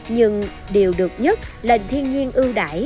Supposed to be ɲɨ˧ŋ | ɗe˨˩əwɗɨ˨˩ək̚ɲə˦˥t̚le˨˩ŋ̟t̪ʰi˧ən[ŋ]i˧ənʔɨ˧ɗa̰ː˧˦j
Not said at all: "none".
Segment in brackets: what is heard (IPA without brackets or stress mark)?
ɲ